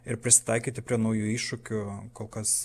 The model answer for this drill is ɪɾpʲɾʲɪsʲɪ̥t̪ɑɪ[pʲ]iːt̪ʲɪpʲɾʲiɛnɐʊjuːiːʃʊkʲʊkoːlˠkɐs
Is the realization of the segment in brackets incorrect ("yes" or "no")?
yes